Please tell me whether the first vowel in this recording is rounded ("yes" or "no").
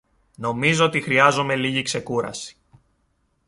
yes